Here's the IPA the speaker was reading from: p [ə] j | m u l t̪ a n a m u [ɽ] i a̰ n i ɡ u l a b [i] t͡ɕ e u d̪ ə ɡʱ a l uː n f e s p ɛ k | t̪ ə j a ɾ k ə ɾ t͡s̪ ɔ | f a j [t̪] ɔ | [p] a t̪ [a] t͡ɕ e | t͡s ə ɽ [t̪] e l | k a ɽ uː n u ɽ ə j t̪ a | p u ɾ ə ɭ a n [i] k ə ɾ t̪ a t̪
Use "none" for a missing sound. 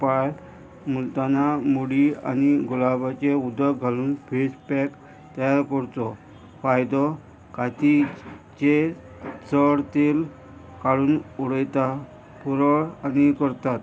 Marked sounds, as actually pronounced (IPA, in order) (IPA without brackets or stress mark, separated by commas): a, ɽ, a, d̪, k, i, t̪, i